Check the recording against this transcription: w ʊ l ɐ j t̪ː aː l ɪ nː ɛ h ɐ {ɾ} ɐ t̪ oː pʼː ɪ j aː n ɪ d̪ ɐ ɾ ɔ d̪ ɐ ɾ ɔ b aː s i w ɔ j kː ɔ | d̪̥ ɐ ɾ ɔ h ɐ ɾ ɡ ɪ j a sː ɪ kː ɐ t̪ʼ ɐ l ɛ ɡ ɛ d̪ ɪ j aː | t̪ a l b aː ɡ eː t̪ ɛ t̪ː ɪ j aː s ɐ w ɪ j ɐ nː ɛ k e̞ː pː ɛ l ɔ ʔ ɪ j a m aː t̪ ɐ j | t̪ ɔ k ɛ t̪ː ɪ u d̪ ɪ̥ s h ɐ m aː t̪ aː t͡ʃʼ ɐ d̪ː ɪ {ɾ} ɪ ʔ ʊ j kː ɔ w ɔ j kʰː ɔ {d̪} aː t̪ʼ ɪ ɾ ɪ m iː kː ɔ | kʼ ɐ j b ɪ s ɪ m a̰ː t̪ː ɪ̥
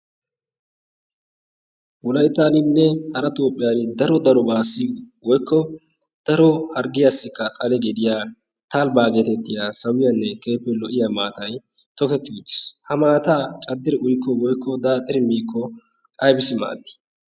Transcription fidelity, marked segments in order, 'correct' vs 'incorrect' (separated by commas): correct, correct, correct